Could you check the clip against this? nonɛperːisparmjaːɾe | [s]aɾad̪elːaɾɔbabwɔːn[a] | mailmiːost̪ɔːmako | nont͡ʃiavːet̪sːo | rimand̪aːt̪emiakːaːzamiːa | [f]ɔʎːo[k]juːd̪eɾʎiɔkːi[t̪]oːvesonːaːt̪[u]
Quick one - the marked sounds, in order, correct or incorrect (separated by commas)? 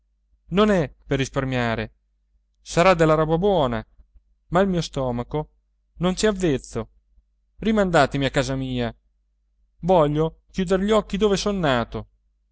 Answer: correct, correct, incorrect, correct, incorrect, incorrect